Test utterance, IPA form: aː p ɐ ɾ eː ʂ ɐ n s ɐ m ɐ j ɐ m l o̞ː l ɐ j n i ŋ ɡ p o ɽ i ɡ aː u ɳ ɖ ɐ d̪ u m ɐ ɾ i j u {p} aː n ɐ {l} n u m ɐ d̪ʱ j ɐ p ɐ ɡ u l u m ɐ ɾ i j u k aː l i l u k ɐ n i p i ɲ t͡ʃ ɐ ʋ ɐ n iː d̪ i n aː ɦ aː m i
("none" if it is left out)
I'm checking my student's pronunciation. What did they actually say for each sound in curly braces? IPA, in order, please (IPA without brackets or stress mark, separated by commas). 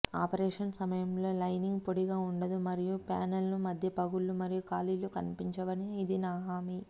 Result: p, l